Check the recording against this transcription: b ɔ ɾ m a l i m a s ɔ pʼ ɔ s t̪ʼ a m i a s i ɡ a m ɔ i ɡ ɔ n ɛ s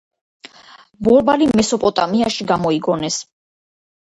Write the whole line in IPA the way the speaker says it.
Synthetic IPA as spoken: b ɔ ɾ b a l i m ɛ s ɔ pʼ ɔ t̪ʼ a m i a ʃ i ɡ a m ɔ i ɡ ɔ n ɛ s